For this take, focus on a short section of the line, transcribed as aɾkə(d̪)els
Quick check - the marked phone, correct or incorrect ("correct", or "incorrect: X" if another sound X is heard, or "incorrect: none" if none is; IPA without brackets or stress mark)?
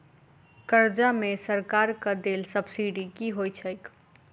correct